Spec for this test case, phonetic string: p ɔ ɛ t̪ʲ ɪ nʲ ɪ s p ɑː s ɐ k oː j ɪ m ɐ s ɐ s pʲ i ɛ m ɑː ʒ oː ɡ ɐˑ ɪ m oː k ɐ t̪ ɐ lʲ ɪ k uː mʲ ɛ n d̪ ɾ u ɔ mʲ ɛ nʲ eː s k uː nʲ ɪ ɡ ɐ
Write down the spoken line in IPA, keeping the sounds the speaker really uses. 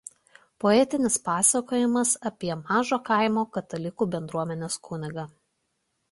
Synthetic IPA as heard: p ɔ ɛ t̪ʲ ɪ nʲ ɪ s p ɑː s ɐ k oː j ɪ m ɐ s ɐ pʲ i ɛ m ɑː ʒ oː k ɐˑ ɪ m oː k ɐ t̪ ɐ lʲ ɪ k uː bʲ ɛ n d̪ ɾ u ɔ mʲ ɛ nʲ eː s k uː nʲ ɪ ɡ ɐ